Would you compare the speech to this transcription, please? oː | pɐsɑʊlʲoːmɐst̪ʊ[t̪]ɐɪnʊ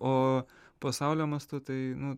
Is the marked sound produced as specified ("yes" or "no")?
yes